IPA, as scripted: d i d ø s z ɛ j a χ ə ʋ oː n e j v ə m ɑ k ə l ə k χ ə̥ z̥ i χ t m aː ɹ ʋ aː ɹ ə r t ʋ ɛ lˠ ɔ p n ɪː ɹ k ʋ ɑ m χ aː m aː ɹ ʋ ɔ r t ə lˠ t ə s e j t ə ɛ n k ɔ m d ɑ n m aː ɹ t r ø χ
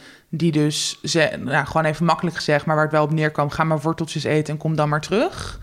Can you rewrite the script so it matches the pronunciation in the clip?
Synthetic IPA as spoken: d i d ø s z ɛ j a χ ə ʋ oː n e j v ə m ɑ k ə l ə k χ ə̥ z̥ ɛ χ t m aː ɹ ʋ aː ɹ ə t ʋ ɛ lˠ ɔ p n ɪː ɹ k ʋ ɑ m χ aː m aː ɹ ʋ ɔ ɹ t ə lˠ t ə s e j t ə ɛ n k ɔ m d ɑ n m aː ɹ t r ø χ